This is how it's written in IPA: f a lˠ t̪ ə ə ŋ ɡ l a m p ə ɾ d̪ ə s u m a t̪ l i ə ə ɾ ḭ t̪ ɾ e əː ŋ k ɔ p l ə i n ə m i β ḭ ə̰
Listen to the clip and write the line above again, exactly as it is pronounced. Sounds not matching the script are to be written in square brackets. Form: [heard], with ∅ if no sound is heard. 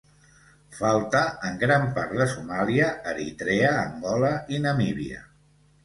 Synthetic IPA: f a lˠ t̪ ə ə ŋ ɡ [ɾ] a m p [a] ɾ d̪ ə s u m a [∅] l i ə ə ɾ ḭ t̪ ɾ e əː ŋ [ɡ] ɔ [∅] l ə i n ə m i β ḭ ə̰